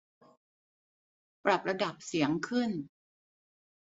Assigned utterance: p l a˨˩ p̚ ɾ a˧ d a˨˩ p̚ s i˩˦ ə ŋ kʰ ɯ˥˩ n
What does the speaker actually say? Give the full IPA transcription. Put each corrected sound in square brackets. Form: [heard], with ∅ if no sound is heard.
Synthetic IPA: p [ɾ] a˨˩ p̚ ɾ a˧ d a˨˩ p̚ s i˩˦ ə ŋ kʰ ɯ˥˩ n